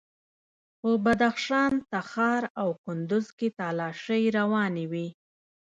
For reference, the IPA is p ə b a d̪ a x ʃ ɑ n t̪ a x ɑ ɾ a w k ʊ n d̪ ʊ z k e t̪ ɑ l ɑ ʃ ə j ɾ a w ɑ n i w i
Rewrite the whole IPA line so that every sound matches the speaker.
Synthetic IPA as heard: p ə b a d̪ a x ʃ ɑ n t̪ a x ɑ ɾ a w k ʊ n d̪ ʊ z k e t̪ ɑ l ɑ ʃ ə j ɾ a w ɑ n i w i